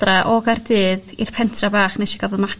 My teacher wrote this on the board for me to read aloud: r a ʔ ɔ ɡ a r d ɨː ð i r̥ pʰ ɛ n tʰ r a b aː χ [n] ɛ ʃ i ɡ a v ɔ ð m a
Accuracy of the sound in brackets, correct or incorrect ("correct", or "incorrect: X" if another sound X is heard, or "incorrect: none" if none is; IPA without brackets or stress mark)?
correct